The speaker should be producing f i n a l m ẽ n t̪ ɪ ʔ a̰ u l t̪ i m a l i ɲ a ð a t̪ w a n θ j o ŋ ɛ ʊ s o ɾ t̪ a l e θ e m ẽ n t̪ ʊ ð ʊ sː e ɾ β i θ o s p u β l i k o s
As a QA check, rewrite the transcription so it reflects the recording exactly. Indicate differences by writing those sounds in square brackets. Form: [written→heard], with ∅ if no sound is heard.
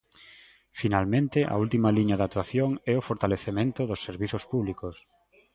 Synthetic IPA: f i n a l m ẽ n t̪ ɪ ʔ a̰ u l t̪ i m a l i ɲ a ð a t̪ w a [n→∅] θ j o ŋ ɛ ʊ [s→f] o ɾ t̪ a l e θ e m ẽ n t̪ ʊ ð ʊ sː e ɾ β i θ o s p u β l i k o s